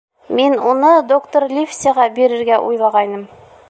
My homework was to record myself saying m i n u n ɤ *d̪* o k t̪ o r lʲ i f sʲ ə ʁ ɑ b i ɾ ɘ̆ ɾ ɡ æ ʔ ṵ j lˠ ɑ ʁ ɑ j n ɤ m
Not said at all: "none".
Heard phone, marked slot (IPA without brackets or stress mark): d̪